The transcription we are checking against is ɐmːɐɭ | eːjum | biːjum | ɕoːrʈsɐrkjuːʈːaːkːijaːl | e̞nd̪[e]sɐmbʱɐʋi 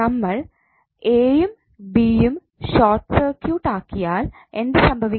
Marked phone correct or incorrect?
correct